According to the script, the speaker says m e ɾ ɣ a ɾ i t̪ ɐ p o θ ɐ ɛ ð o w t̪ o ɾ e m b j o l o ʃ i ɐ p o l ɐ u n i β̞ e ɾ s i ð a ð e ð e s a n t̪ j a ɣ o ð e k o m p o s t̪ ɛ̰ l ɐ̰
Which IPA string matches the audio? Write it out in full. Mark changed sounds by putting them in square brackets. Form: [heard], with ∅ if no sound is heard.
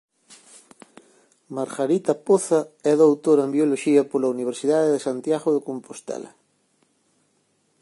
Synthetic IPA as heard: m [a] ɾ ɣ a ɾ i t̪ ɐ p o θ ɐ ɛ ð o w t̪ o ɾ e m b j o l o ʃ i ɐ p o l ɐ u n i β̞ e ɾ s i ð a ð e ð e s a n t̪ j a ɣ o ð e k o m p o s t̪ ɛ̰ l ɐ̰